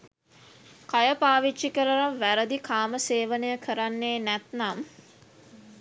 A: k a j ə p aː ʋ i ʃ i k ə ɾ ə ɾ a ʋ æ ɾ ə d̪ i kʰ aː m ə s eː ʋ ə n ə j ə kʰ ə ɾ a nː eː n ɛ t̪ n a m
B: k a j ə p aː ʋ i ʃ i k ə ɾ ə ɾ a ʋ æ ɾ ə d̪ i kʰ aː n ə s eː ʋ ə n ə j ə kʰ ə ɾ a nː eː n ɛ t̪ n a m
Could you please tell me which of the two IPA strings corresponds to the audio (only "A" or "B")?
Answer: A